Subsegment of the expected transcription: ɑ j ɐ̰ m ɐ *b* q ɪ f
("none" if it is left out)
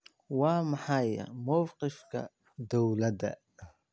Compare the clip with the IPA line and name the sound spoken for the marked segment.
w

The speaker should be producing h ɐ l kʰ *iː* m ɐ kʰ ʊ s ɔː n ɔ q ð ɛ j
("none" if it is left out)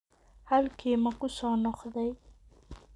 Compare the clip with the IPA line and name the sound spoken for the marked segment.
iː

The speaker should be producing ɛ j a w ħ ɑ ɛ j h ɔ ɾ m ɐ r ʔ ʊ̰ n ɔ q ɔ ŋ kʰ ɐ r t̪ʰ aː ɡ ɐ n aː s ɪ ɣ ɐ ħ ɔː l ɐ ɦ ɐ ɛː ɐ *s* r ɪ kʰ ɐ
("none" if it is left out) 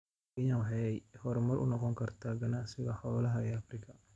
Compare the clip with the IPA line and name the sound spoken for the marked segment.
f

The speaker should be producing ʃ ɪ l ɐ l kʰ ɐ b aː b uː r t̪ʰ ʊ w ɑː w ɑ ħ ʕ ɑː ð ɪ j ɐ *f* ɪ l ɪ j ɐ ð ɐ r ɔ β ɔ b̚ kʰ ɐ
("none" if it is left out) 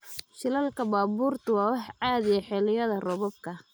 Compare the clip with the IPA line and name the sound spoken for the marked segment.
ħ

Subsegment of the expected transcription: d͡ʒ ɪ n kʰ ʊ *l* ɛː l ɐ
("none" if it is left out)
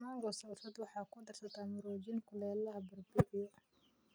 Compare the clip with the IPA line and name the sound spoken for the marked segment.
l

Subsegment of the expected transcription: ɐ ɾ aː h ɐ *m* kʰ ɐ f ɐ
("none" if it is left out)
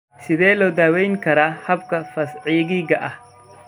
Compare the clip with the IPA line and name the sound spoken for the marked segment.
b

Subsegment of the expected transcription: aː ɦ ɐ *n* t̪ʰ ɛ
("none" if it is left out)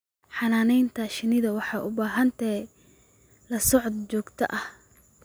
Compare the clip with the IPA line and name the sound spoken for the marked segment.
n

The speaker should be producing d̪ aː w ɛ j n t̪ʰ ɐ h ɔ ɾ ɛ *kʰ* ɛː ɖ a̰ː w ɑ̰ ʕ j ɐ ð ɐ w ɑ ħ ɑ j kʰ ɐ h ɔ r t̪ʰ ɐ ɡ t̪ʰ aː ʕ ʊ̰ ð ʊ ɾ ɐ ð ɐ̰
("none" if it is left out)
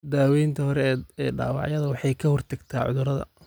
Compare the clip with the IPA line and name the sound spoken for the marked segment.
none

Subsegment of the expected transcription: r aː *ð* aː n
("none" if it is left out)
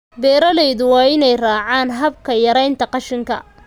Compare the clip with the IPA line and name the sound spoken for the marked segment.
ʕ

